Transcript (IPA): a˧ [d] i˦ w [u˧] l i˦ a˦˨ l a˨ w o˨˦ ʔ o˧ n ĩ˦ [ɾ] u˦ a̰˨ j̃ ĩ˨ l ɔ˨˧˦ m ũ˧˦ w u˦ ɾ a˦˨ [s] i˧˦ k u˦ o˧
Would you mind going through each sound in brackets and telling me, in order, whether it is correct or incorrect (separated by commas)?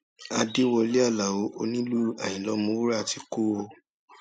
correct, incorrect, incorrect, incorrect